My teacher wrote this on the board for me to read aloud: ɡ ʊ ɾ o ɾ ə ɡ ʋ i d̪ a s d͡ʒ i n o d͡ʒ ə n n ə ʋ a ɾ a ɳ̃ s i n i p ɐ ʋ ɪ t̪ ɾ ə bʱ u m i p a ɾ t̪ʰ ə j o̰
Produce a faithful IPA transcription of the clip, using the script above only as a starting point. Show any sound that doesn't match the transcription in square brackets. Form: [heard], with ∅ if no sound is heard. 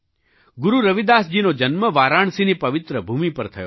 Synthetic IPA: ɡ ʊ ɾ [u] ɾ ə [∅] ʋ i d̪ a s d͡ʒ i n o d͡ʒ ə n [m] ə ʋ a ɾ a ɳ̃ s i n i p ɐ ʋ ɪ t̪ ɾ ə bʱ u m i p [ə] ɾ t̪ʰ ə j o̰